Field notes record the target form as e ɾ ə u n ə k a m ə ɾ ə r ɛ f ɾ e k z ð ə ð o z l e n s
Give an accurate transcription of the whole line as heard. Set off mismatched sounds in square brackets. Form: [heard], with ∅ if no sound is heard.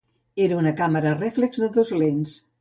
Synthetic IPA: e ɾ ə u n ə k a m ə ɾ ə r ɛ f [l] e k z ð ə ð o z l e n s